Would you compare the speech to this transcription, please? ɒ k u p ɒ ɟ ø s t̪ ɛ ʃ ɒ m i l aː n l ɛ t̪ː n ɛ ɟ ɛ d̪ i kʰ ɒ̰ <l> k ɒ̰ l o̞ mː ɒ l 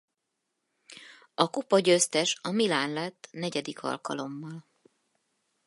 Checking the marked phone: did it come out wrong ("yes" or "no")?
no